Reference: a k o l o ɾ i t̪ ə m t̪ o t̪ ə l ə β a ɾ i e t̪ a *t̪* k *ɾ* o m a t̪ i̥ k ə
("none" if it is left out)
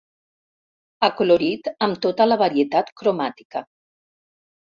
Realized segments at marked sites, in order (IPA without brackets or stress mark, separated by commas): t̪, ɾ